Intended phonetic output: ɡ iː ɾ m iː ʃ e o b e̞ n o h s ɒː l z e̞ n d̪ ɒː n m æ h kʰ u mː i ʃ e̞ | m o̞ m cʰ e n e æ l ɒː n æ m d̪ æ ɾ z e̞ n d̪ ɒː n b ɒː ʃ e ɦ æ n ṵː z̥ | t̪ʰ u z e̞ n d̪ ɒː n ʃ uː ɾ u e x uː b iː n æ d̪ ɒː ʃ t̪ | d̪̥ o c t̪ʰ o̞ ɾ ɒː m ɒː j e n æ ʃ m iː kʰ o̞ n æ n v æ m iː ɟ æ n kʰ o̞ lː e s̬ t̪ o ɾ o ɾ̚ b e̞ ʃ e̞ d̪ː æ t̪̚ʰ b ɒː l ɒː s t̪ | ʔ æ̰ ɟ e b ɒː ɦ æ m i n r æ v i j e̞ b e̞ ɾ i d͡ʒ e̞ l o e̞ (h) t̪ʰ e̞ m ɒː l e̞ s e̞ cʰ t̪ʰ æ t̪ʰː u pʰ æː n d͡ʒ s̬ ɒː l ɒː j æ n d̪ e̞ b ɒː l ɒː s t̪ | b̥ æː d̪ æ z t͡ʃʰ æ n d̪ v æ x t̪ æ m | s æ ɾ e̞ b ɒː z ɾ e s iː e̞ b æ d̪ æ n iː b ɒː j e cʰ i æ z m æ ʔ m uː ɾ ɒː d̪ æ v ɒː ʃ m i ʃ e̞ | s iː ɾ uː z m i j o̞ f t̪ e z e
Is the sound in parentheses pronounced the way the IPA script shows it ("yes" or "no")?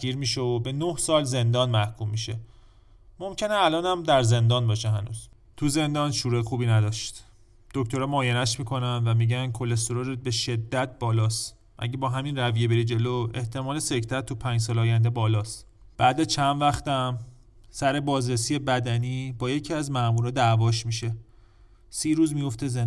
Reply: yes